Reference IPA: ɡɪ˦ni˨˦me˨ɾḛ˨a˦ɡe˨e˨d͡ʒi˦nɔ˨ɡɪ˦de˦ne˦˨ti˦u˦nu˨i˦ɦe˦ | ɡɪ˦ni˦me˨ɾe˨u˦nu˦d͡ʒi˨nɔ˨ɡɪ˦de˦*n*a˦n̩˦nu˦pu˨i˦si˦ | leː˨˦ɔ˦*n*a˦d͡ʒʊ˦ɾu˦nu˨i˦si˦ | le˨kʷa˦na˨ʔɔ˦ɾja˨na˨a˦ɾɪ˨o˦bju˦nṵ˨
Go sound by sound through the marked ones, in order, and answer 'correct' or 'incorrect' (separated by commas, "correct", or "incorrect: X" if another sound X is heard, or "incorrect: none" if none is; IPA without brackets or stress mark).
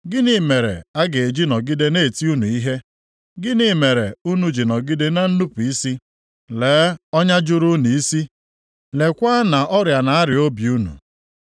correct, incorrect: ɲ